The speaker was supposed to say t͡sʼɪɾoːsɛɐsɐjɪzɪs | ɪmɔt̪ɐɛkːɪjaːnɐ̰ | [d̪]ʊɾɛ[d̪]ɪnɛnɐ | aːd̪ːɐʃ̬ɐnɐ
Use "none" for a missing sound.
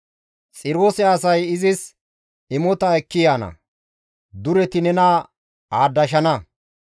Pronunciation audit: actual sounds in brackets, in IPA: d̪, t̪

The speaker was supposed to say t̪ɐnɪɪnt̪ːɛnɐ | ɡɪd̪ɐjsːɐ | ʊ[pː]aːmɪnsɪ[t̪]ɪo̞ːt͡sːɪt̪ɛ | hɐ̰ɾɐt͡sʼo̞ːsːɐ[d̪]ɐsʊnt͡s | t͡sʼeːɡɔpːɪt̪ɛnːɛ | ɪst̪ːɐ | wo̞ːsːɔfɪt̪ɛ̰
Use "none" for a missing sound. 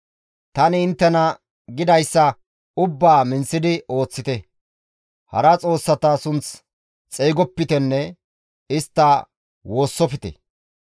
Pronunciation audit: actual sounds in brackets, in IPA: bː, d̪, t̪

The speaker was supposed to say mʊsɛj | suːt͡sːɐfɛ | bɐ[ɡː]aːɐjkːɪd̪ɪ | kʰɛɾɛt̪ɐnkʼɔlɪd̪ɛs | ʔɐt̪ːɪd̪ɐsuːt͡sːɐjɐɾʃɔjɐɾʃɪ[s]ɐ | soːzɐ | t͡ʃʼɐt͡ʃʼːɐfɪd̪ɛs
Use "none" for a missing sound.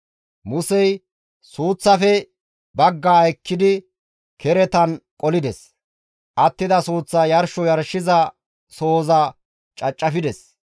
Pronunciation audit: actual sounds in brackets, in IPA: ɡː, z

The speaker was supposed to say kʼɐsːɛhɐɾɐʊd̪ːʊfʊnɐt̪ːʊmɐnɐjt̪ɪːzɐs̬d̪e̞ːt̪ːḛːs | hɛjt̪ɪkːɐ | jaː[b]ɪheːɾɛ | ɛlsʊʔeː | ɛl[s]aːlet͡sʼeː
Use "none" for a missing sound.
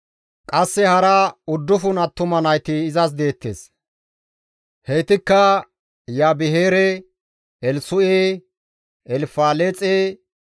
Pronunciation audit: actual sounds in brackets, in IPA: b, f

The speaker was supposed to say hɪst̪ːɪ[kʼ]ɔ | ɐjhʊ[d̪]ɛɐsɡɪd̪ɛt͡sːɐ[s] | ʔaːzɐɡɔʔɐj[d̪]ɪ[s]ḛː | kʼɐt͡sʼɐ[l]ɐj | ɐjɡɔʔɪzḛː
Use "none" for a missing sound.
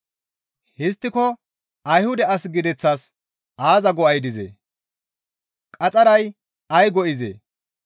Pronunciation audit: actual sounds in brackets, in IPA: k, d̪, s, d̪, z, ɾ

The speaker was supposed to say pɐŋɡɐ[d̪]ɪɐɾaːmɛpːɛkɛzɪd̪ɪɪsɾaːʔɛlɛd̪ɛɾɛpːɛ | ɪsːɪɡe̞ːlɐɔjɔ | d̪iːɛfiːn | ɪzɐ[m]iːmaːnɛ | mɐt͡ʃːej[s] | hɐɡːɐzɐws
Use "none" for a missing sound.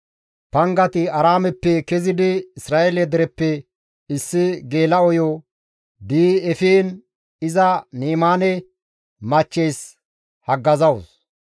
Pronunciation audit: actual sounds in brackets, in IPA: t̪, n, s

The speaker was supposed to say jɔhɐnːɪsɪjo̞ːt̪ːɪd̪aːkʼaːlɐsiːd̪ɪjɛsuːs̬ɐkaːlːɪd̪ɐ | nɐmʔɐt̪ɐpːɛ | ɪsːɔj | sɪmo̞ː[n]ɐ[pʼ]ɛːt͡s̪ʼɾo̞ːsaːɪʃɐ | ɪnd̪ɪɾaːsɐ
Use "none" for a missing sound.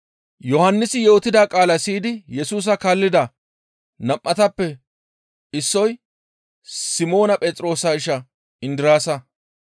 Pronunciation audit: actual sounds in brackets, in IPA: n, pʼ

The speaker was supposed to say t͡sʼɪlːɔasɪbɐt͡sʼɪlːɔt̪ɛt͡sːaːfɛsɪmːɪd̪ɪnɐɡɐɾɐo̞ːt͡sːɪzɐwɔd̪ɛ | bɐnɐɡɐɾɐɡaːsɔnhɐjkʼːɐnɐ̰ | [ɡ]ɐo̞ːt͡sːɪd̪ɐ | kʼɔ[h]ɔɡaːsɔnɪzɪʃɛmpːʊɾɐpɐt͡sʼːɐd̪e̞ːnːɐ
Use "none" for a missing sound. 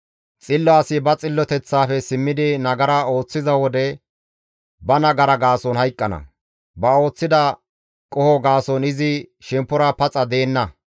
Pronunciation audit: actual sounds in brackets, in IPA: b, h

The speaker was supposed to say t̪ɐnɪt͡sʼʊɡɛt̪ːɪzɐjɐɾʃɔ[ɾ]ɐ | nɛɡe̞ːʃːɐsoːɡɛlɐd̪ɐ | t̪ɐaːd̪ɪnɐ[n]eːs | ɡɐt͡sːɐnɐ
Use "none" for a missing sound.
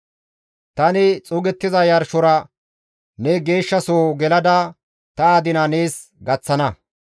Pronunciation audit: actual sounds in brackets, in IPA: ɾ, n

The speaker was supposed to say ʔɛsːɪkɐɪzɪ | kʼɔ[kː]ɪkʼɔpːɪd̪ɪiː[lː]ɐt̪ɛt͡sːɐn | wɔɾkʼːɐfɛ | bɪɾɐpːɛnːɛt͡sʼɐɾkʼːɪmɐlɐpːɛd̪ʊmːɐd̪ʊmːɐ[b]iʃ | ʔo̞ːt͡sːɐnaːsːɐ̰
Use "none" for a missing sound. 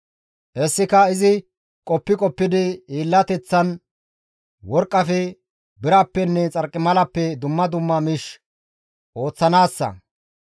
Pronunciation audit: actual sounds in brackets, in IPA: pː, lː, m

